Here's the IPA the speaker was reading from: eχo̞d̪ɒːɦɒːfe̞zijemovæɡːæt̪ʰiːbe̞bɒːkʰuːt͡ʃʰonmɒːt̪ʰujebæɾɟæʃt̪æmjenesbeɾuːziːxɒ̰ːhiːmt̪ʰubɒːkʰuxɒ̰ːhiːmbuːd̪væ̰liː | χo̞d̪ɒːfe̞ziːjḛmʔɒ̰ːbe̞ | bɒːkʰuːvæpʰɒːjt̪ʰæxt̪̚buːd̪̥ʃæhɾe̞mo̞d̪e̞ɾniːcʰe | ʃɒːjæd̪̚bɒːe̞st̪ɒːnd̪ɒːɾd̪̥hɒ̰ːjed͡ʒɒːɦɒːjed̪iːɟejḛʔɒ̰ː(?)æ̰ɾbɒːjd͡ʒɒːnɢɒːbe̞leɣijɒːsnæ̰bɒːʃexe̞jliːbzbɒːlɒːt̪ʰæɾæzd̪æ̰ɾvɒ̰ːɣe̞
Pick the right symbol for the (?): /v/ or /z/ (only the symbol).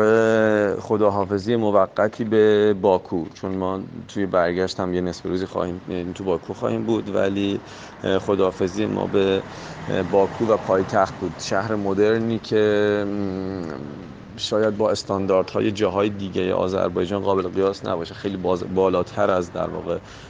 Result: z